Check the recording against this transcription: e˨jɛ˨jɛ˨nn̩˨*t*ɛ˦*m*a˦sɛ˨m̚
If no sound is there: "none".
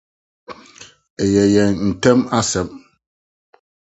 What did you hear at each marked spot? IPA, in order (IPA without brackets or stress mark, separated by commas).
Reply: t, m